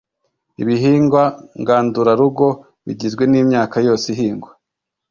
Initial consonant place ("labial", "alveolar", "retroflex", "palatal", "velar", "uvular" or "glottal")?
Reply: labial